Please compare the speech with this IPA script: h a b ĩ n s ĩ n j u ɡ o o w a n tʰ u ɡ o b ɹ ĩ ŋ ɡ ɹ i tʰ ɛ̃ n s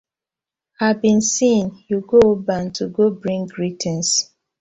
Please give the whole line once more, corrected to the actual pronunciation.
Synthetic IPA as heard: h a b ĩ n s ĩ n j u ɡ o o b a n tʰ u ɡ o b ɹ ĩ ŋ ɡ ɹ i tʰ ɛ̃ n s